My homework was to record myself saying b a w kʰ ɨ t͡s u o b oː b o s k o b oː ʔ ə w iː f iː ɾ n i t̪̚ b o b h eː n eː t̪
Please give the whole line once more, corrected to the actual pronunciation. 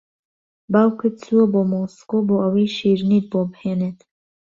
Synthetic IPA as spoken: b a w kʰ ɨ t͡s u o b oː m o s k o b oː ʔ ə w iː ʃ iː ɾ n i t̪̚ b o b h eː n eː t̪